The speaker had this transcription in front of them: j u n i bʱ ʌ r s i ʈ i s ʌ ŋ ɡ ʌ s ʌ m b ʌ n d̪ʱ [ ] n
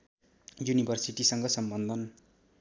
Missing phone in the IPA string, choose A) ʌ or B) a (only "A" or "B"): A